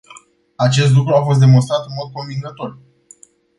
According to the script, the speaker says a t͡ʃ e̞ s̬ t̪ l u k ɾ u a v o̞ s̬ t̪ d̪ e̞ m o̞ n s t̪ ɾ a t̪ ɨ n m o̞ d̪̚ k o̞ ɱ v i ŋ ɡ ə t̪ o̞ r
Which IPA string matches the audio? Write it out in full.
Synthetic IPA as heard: a t͡ʃ e̞ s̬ t̪ l u k ɾ u a f o̞ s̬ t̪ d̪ e̞ m o̞ n s t̪ ɾ a t̪ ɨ n m o̞ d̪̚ k o̞ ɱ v i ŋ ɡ ə t̪ o̞ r